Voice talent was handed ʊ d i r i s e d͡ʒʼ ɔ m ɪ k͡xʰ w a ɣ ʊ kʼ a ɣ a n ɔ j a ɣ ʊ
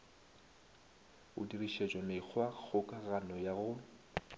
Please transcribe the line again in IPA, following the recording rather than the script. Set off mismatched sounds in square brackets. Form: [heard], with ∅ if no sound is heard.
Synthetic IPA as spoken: ʊ d i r i [ʃ] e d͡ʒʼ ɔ m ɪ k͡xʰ w a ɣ ʊ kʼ a ɣ a n ɔ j a ɣ ʊ